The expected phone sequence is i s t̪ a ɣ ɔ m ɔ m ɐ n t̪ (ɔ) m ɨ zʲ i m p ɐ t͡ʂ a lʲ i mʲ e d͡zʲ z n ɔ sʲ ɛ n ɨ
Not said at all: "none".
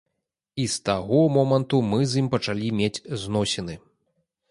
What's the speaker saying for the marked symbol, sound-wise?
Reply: u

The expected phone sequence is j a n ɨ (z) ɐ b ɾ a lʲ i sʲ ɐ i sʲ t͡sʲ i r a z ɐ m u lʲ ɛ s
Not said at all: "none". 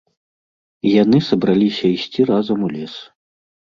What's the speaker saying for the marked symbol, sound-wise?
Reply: s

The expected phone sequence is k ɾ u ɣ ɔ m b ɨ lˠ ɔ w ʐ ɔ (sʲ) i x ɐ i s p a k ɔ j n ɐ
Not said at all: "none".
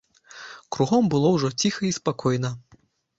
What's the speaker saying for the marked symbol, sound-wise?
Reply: t͡sʲ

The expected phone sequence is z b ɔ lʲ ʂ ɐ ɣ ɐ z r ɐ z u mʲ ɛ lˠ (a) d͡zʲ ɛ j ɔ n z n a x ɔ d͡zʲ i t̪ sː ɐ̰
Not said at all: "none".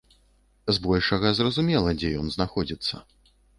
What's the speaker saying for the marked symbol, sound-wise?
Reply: ɐ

